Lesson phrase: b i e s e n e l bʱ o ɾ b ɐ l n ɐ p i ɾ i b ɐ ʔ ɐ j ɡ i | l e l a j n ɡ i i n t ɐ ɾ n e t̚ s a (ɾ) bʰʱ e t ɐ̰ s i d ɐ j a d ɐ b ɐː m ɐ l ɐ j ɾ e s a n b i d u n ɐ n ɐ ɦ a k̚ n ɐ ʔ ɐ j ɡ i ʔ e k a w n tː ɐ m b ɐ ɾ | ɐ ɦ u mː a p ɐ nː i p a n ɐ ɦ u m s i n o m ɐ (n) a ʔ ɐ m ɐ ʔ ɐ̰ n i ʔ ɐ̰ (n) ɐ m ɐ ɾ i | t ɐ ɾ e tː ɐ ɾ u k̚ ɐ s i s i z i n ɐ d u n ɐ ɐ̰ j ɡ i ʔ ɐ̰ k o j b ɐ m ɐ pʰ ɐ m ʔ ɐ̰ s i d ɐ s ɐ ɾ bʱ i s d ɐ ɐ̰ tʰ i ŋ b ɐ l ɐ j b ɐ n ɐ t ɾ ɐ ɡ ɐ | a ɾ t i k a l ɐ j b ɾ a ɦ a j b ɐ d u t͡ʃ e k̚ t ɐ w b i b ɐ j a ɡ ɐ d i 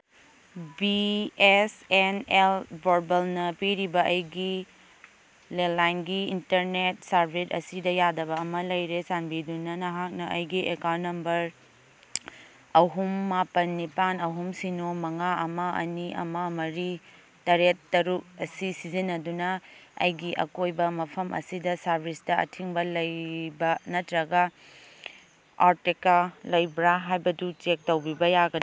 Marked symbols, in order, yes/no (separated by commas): yes, no, no